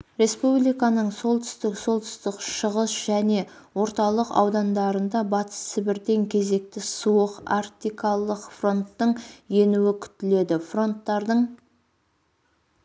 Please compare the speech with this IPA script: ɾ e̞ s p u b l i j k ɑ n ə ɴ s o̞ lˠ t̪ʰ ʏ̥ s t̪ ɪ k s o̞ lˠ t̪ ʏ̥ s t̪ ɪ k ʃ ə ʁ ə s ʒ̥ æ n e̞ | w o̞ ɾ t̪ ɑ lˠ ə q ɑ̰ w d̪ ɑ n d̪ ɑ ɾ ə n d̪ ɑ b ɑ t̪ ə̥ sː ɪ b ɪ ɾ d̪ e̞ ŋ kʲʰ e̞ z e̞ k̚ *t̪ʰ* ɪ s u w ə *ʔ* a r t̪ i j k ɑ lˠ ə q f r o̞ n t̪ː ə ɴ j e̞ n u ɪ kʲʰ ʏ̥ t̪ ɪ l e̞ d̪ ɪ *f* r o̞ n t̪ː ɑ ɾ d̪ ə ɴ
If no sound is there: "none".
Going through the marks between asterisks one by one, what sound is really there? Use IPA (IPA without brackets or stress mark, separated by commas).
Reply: t̪, q, f